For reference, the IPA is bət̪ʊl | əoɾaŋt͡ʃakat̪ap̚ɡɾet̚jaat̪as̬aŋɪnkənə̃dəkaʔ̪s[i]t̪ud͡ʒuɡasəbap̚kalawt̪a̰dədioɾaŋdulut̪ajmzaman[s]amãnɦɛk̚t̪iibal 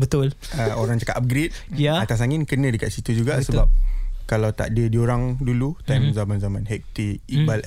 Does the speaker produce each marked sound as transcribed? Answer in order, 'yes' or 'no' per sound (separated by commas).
yes, no